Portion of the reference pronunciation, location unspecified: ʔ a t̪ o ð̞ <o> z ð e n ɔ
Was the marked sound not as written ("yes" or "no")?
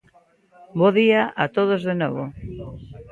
no